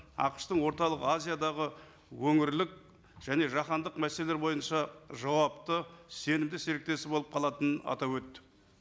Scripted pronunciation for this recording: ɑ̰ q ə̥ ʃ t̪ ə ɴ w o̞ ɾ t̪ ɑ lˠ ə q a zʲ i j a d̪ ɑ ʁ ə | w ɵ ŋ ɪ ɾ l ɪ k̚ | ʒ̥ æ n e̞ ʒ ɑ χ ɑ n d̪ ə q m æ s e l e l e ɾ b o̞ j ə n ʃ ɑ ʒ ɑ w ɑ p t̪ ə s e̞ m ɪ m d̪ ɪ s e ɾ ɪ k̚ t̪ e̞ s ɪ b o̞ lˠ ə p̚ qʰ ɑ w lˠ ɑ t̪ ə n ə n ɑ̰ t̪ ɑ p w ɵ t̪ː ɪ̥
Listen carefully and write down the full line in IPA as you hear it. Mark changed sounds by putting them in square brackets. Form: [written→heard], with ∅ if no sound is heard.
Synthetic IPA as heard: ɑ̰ q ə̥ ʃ t̪ ə ɴ w o̞ ɾ t̪ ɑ lˠ ə q a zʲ i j a d̪ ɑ ʁ ə | w ɵ ŋ ɪ ɾ l ɪ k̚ | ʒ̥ æ n e̞ ʒ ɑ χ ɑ n d̪ ə q m æ s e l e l e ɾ b o̞ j ə n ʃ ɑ ʒ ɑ w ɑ p t̪ ə s e̞ [m→n] ɪ m d̪ ɪ s e ɾ ɪ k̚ t̪ e̞ s ɪ b o̞ lˠ ə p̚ qʰ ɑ [w→∅] lˠ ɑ t̪ ə n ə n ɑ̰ t̪ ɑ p w ɵ t̪ː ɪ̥

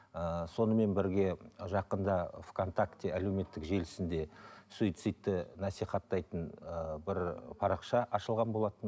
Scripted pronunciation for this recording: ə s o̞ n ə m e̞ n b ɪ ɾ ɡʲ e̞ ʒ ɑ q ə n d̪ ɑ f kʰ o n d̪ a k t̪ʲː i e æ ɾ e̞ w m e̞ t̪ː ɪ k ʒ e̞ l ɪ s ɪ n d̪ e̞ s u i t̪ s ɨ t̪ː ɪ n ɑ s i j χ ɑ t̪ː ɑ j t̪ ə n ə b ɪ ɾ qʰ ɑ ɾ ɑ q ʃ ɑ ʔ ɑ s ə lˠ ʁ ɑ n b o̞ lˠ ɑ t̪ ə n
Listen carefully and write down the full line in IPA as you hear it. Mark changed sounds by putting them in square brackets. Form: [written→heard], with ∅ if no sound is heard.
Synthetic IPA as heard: ə s o̞ n ə m e̞ n b ɪ ɾ ɡʲ e̞ ʒ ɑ q ə n d̪ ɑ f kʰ o n [d̪→t̪] a k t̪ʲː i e æ [ɾ→l] e̞ w m e̞ t̪ː ɪ k ʒ e̞ l ɪ s ɪ n d̪ e̞ s u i t̪ s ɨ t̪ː ɪ n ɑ s i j χ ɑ t̪ː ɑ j t̪ ə n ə b ɪ ɾ [qʰ→pʰ] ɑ ɾ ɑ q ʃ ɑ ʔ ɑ [s→ʃ] ə lˠ ʁ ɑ n b o̞ lˠ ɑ t̪ ə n

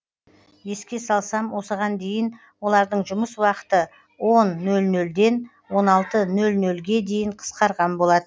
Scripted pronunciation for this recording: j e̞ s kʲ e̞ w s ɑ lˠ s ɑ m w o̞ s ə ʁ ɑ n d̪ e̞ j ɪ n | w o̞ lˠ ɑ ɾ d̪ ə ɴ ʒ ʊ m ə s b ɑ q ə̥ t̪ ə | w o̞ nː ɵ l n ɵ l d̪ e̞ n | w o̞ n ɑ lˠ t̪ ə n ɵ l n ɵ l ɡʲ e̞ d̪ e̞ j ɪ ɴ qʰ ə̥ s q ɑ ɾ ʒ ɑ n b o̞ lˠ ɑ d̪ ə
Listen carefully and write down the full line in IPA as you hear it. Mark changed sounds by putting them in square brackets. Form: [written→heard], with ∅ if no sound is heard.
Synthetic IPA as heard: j e̞ s kʲ e̞ [w→∅] s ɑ lˠ s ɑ m w o̞ s ə ʁ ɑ n d̪ e̞ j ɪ n | w o̞ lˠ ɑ ɾ d̪ ə ɴ ʒ ʊ m ə s [b→w] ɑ q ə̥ t̪ ə | w o̞ nː ɵ l n ɵ l d̪ e̞ n | w o̞ n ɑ lˠ t̪ ə n ɵ l n ɵ l ɡʲ e̞ d̪ e̞ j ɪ ɴ qʰ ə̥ s q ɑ ɾ [ʒ→ʁ] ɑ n b o̞ lˠ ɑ d̪ ə

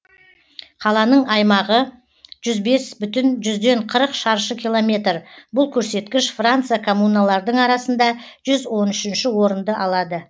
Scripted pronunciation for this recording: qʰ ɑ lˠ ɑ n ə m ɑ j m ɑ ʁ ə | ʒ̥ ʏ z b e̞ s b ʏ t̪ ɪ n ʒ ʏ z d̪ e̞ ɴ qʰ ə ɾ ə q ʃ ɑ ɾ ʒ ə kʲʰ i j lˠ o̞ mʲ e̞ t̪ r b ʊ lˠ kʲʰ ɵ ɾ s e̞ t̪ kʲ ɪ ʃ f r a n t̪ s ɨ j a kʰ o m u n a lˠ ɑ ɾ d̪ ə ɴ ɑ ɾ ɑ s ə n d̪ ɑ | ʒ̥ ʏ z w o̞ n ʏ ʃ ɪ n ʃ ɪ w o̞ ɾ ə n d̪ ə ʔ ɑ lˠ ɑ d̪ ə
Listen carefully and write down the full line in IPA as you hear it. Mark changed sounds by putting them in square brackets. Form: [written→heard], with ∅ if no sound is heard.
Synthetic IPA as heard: qʰ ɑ lˠ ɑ n ə [m→ɴ] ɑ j m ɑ ʁ ə | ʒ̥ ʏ z b e̞ s b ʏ t̪ ɪ n ʒ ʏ z d̪ e̞ ɴ qʰ ə ɾ ə q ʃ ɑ ɾ [ʒ→ʃ] ə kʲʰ i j lˠ o̞ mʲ e̞ t̪ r b ʊ lˠ kʲʰ ɵ ɾ s e̞ t̪ kʲ ɪ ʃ f r a n t̪ s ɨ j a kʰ o m u n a lˠ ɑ ɾ d̪ ə ɴ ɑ ɾ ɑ s ə n d̪ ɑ | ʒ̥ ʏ z w o̞ n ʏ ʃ ɪ n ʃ ɪ w o̞ ɾ ə n d̪ ə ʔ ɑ lˠ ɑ d̪ ə

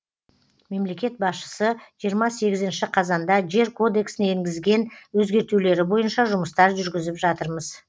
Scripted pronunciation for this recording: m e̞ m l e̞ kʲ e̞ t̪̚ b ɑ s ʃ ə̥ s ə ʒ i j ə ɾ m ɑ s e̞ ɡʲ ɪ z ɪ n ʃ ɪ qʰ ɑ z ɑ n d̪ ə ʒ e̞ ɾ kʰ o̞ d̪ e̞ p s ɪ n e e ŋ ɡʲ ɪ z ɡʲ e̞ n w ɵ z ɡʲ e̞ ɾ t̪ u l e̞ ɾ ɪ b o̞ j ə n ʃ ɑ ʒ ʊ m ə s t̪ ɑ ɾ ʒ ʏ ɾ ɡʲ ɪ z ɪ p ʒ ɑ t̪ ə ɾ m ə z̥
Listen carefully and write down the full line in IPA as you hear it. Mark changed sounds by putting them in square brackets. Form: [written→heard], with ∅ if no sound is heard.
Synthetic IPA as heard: m e̞ m l e̞ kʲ e̞ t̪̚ b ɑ s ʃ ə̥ s ə ʒ i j ə ɾ m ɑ s e̞ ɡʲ ɪ z ɪ n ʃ ɪ qʰ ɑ z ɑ n d̪ [ə→ɑ] ʒ e̞ ɾ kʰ o̞ d̪ e̞ [p→k] s ɪ n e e ŋ ɡʲ ɪ z ɡʲ e̞ n w ɵ z ɡʲ e̞ ɾ t̪ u l e̞ ɾ ɪ b o̞ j ə n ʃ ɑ ʒ ʊ m ə s t̪ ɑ ɾ ʒ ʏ ɾ ɡʲ ɪ z ɪ p ʒ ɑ t̪ ə ɾ m ə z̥

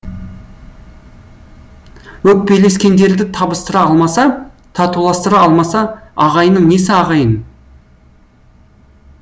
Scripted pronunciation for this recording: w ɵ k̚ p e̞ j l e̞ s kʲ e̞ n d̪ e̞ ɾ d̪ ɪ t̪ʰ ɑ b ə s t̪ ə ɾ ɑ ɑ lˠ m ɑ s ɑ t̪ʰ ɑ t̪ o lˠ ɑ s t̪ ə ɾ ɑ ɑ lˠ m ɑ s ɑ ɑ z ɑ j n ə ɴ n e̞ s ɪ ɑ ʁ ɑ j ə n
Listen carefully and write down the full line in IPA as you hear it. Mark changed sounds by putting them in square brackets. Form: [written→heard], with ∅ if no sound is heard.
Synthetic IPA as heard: w ɵ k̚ p e̞ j l e̞ s kʲ e̞ n d̪ e̞ ɾ d̪ ɪ t̪ʰ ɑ b ə s t̪ ə ɾ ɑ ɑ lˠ m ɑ s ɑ t̪ʰ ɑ t̪ [o→u] lˠ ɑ s t̪ ə ɾ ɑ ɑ lˠ m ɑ s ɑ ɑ [z→ʁ] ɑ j n ə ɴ n e̞ s ɪ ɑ ʁ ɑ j ə n

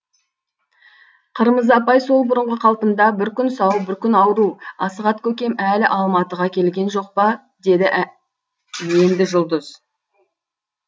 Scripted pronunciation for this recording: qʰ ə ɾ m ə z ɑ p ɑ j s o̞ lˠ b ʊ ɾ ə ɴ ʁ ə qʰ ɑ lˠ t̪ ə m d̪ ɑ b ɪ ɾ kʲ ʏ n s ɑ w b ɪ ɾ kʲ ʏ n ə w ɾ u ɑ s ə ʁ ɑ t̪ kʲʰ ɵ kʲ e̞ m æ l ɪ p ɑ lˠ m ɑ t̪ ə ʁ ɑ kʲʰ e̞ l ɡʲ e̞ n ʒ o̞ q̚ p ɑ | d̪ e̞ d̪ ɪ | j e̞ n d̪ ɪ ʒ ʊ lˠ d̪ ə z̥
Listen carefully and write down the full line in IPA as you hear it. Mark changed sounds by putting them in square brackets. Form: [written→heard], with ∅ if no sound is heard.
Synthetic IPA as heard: qʰ ə ɾ m ə z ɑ p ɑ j s o̞ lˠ b ʊ ɾ ə ɴ ʁ ə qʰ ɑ lˠ t̪ ə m d̪ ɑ b ɪ ɾ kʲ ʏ n s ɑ w b ɪ ɾ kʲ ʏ n [ə→ɑ] w ɾ u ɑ s ə ʁ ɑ t̪ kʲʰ ɵ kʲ e̞ m æ l ɪ [p→ʔ] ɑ lˠ m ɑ t̪ ə ʁ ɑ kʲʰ e̞ l ɡʲ e̞ n ʒ o̞ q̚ p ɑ | d̪ e̞ d̪ ɪ | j e̞ n d̪ ɪ ʒ ʊ lˠ d̪ ə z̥

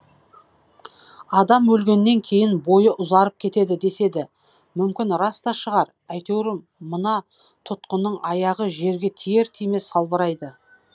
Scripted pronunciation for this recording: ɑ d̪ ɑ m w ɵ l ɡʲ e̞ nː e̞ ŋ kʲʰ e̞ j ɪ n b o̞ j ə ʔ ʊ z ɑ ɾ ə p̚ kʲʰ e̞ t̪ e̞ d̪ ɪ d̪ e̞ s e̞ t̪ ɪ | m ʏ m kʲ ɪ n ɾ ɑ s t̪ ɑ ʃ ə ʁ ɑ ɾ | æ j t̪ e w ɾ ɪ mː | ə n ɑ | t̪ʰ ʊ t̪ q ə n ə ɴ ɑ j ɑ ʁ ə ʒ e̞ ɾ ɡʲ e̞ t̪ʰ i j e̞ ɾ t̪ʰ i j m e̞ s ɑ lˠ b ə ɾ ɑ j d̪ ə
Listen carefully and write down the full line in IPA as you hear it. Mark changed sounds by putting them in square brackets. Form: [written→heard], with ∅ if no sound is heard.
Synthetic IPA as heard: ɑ d̪ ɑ m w ɵ l ɡʲ e̞ nː e̞ ŋ kʲʰ e̞ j ɪ n b o̞ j ə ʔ ʊ z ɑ ɾ ə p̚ kʲʰ e̞ t̪ e̞ d̪ ɪ d̪ e̞ s e̞ [t̪→d̪] ɪ | m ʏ m kʲ ɪ n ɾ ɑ s t̪ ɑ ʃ ə ʁ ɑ ɾ | æ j t̪ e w ɾ ɪ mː | ə n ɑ | t̪ʰ ʊ t̪ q ə n ə ɴ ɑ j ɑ ʁ ə ʒ e̞ ɾ ɡʲ e̞ t̪ʰ i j e̞ ɾ t̪ʰ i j m e̞ s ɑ lˠ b ə ɾ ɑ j d̪ ə

